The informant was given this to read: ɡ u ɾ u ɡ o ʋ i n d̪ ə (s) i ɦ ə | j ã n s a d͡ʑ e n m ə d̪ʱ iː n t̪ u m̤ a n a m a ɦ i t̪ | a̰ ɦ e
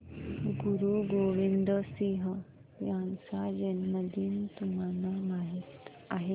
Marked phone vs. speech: correct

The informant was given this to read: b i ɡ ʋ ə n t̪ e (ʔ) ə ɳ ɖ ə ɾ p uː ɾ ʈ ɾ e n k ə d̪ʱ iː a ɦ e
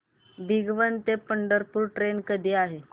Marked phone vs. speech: incorrect: p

